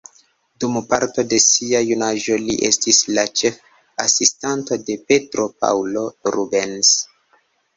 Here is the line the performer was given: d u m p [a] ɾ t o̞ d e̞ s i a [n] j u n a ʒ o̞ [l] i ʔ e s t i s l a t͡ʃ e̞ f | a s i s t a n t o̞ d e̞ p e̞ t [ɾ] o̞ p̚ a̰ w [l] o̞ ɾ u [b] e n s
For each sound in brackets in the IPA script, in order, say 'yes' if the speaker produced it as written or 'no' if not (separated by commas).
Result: yes, no, yes, yes, yes, yes